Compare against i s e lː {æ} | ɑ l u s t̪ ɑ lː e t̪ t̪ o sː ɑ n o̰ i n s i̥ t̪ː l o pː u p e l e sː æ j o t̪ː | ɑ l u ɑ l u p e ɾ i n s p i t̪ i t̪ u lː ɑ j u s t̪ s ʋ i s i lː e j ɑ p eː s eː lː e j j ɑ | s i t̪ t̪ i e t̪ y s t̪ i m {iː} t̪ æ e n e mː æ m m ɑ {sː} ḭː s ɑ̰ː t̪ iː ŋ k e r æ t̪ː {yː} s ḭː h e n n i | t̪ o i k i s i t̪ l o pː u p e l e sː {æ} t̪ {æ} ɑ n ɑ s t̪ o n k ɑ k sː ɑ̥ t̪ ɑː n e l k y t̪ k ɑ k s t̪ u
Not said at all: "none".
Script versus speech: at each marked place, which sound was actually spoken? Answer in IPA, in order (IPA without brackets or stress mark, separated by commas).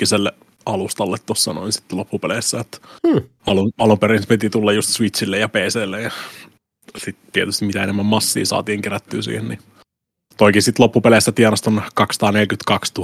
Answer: e, i, sː, yː, æ, i